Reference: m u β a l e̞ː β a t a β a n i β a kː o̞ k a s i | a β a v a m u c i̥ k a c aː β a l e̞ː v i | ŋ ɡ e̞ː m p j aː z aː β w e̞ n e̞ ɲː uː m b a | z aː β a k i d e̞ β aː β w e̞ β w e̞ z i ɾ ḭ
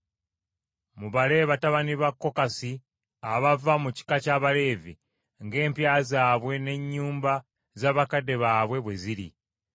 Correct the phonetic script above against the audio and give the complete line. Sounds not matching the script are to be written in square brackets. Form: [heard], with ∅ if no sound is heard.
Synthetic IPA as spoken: m u β a l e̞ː β a t a β a n i β a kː o̞ k a s i | a β a v a m u c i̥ k a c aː β a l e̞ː v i | ŋ ɡ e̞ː m p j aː z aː β w e̞ n e̞ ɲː uː m b a | z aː β a k [a] d e̞ β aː β w e̞ β w e̞ z i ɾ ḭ